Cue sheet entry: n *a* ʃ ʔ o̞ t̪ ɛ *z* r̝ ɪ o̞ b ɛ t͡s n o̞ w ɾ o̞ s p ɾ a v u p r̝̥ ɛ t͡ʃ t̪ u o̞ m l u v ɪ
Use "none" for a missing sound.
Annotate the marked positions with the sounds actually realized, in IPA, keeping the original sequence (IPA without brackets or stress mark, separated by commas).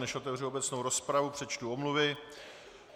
ɛ, v